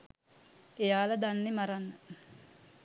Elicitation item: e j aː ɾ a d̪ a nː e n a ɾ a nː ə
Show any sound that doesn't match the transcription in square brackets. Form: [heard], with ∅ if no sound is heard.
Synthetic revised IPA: e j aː [l] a d̪ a nː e [m] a ɾ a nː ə